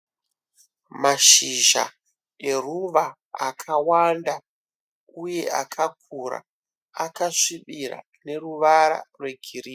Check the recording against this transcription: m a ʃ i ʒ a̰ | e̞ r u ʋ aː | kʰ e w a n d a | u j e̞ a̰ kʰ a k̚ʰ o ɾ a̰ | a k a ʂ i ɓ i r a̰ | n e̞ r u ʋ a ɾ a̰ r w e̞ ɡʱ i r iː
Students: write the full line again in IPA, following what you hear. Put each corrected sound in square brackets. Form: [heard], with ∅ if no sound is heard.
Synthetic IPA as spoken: m a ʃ i ʒ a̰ | e̞ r u ʋ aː | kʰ [a] w a n d a | u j e̞ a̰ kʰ a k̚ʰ [u] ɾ a̰ | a k a ʂ i ɓ i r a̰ | n e̞ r u ʋ a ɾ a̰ r w e̞ ɡʱ i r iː